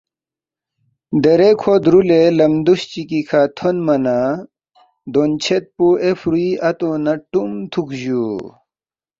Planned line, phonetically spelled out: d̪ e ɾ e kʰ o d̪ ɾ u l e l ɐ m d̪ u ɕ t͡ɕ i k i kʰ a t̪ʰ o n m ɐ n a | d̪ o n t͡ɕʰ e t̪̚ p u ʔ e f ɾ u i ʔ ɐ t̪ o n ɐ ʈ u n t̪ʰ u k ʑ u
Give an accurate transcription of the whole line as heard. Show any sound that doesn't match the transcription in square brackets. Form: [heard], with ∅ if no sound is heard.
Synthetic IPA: d̪ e ɾ e kʰ o d̪ ɾ u l e l ɐ m d̪ u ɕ t͡ɕ i k i kʰ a t̪ʰ o n m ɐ n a | d̪ o n t͡ɕʰ e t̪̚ p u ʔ e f ɾ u i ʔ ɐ t̪ o n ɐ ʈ u [m] t̪ʰ u k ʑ u